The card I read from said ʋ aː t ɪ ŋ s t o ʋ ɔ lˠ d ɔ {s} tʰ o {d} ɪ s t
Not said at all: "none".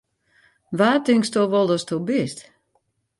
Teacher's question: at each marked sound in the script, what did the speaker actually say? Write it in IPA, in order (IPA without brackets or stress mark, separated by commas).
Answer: s, b